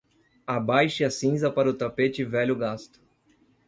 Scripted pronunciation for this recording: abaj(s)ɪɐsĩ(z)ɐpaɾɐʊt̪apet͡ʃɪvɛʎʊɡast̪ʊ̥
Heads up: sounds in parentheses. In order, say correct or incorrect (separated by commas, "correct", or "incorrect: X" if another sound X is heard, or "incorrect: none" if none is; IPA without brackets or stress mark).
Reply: incorrect: ʃ, correct